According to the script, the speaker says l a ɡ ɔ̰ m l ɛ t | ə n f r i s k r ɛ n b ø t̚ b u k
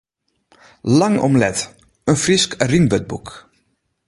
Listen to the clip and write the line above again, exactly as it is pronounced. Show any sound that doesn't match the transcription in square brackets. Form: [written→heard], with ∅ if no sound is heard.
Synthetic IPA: l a [ɡ→ŋ] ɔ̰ m l ɛ t | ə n f r i s k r [ɛ→i] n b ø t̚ b u k